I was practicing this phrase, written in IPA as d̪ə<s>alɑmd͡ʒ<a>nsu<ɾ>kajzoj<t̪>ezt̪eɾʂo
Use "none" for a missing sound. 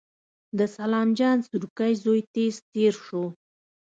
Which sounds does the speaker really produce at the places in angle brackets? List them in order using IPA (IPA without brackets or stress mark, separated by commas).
s, ɑ, ɾ, t̪